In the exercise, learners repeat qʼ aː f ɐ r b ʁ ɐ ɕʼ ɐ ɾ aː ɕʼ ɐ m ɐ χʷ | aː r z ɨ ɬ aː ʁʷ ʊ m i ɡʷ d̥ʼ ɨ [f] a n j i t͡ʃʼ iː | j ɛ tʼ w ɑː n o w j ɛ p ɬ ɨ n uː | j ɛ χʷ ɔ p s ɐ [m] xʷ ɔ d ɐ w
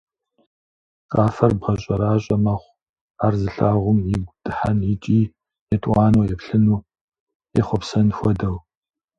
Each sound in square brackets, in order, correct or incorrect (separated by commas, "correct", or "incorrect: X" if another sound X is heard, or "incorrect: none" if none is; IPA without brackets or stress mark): incorrect: ħ, incorrect: n